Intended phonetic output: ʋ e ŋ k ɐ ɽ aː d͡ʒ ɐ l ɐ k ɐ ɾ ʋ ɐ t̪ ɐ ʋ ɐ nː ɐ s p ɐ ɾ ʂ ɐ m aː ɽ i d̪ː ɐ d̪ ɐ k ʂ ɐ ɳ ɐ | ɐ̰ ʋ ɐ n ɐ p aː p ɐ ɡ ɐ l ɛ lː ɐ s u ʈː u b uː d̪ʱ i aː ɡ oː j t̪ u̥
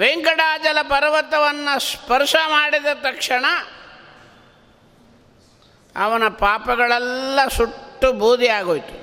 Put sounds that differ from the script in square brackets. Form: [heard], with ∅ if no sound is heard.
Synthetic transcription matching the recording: ʋ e ŋ k ɐ ɽ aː d͡ʒ ɐ l ɐ [p] ɐ ɾ ʋ ɐ t̪ ɐ ʋ ɐ nː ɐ s p ɐ ɾ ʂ ɐ m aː ɽ i [d̪] ɐ [t̪] ɐ k ʂ ɐ ɳ ɐ | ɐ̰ ʋ ɐ n ɐ p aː p ɐ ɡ ɐ [ɭ] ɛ lː ɐ s u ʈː u b uː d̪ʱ i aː ɡ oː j t̪ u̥